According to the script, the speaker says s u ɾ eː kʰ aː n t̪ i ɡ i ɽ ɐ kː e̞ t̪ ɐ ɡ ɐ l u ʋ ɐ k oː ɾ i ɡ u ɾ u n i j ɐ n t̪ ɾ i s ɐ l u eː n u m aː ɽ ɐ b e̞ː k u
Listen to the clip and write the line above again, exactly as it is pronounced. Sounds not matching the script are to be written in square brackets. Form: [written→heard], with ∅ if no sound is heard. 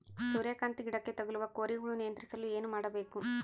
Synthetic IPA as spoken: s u ɾ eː [kʰ→k] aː n t̪ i ɡ i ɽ ɐ kː e̞ t̪ ɐ ɡ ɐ l u ʋ ɐ k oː ɾ i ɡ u [ɾ→ɭ] u n i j ɐ n t̪ ɾ i s ɐ l u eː n u m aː ɽ ɐ b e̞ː k u

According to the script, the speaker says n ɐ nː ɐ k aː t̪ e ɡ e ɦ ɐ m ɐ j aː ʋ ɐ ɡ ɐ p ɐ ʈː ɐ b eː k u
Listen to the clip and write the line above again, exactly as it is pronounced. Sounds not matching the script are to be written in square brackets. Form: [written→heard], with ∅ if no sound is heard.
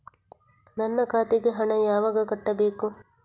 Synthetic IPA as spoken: n ɐ nː ɐ k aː t̪ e ɡ e ɦ ɐ [m→ɳ] ɐ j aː ʋ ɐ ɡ ɐ [p→k] ɐ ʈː ɐ b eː k u

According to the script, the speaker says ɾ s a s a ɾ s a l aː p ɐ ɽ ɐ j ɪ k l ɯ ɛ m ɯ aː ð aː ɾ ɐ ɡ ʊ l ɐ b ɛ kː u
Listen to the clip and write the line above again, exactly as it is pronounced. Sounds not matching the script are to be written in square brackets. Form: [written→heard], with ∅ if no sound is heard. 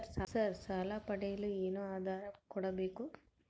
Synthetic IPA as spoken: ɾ s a s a ɾ s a l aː p ɐ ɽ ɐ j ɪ [k→∅] l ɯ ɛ [m→n] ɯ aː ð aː ɾ ɐ [ɡ→k] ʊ [l→ɽ] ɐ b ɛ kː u

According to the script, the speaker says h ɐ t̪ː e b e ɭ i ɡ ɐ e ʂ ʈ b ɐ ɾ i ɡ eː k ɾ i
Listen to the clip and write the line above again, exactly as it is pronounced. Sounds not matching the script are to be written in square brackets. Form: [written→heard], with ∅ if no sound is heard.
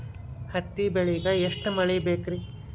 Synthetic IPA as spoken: h ɐ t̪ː [e→i] b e ɭ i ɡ ɐ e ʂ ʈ [b→m] ɐ [ɾ→ɭ] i [ɡ→b] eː k ɾ i

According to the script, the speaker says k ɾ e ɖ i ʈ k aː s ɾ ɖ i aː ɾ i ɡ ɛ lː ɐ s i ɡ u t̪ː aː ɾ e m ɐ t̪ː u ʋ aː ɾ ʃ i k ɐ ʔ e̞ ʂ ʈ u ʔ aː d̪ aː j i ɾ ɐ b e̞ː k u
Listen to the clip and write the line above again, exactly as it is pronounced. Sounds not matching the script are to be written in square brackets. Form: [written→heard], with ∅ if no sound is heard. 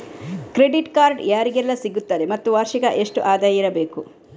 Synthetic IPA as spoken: k ɾ e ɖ i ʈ k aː [s→∅] ɾ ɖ [i→j] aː ɾ i ɡ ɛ lː ɐ s i ɡ u t̪ː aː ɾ e m ɐ t̪ː u ʋ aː ɾ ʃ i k ɐ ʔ e̞ ʂ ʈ u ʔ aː d̪ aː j i ɾ ɐ b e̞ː k u

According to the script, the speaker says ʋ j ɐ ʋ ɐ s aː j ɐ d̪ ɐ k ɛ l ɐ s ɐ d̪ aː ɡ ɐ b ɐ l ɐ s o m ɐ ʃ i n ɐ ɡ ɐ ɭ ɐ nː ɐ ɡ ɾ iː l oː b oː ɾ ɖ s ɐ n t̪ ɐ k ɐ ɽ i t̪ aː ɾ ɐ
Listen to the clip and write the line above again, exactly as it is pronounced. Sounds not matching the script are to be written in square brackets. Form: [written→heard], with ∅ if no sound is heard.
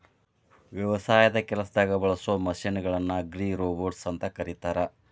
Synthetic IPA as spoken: ʋ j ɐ ʋ ɐ s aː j ɐ d̪ ɐ k ɛ l ɐ s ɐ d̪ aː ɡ ɐ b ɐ [l→ɭ] ɐ s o m ɐ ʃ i n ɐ ɡ ɐ ɭ ɐ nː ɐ ɡ ɾ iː [l→ɾ] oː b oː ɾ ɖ s ɐ n t̪ ɐ k ɐ [ɽ→ɾ] i t̪ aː ɾ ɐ

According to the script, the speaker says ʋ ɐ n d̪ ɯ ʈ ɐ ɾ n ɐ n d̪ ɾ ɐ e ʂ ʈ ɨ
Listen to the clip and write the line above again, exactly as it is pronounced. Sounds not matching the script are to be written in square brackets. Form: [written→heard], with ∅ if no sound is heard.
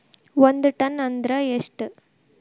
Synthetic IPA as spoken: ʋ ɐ n d̪ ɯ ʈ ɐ [ɾ→∅] n ɐ n d̪ ɾ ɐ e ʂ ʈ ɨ

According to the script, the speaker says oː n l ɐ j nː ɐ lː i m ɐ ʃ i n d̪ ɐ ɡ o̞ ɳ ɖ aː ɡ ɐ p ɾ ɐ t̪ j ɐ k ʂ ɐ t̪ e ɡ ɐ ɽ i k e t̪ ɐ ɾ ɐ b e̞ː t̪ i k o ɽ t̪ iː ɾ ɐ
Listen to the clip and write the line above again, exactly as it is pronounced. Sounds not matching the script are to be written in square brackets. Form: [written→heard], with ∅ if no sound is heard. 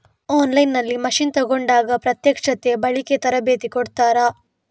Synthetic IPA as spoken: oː n l ɐ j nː ɐ lː i m ɐ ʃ i n [d̪→t̪] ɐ ɡ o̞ ɳ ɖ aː ɡ ɐ p ɾ ɐ t̪ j ɐ k ʂ ɐ t̪ e [ɡ→b] ɐ [ɽ→ɭ] i k e t̪ ɐ ɾ ɐ b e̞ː t̪ i k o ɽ t̪ [iː→aː] ɾ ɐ

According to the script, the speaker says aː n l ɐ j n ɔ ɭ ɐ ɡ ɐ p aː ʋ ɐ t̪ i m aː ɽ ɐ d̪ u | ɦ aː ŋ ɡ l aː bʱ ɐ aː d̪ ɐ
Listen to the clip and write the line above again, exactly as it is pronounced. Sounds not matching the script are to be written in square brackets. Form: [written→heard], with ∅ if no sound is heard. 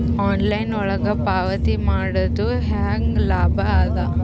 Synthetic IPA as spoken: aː n l ɐ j n ɔ ɭ ɐ ɡ ɐ p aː ʋ ɐ t̪ i m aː ɽ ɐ d̪ u | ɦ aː ŋ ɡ l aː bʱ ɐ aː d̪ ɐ

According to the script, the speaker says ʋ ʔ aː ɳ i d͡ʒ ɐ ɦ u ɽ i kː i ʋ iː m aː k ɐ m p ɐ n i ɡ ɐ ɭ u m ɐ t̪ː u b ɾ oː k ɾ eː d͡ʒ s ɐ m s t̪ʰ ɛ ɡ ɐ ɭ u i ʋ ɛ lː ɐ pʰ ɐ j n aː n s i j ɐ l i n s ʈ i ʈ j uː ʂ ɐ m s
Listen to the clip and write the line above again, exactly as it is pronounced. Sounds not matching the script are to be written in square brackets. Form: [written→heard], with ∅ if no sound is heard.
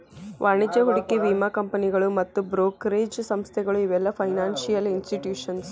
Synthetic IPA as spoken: ʋ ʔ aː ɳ i d͡ʒ ɐ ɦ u ɽ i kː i ʋ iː m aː k ɐ m p ɐ n i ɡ ɐ ɭ u m ɐ t̪ː u b ɾ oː k ɾ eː d͡ʒ s ɐ m s t̪ʰ ɛ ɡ ɐ ɭ u i ʋ ɛ lː ɐ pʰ ɐ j n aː n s i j ɐ l i n s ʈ i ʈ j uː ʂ ɐ [m→n] s

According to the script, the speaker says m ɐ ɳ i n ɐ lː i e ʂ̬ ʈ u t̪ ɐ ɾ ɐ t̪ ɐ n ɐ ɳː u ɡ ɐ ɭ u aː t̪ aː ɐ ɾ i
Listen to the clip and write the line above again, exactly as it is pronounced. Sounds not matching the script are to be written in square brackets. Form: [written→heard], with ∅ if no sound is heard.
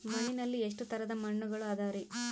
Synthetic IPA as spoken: m ɐ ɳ i n ɐ lː i e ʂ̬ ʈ u t̪ ɐ ɾ ɐ [t̪→d̪] ɐ [n→m] ɐ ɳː u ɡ ɐ ɭ u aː [t̪→d̪] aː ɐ ɾ i

